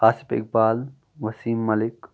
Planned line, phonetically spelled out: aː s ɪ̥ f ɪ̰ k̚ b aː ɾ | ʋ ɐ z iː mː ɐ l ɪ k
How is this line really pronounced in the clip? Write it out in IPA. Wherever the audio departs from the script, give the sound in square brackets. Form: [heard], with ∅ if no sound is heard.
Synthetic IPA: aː s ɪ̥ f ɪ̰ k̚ b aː [l] | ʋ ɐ [s] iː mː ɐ l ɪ k